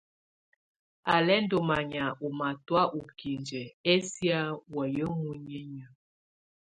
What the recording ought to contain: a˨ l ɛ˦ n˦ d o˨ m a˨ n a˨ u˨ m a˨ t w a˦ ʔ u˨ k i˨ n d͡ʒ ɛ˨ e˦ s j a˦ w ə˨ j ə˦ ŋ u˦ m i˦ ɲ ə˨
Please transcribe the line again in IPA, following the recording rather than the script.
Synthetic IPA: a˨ l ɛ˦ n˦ d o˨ m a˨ ɲ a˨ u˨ m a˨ t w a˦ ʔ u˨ k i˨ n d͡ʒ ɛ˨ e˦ s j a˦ w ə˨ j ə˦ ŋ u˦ ɲ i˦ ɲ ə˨